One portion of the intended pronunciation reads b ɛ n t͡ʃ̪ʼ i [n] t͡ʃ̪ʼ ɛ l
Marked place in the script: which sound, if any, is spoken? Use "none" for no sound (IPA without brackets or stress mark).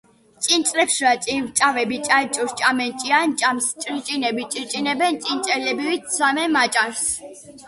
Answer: n